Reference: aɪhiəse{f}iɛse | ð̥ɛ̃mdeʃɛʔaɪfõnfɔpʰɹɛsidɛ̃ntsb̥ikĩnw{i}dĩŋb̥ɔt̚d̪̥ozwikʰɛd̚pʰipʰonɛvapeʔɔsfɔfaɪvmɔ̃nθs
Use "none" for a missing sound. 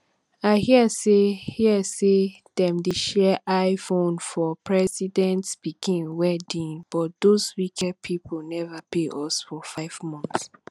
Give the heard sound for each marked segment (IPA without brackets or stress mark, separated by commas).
h, ɛ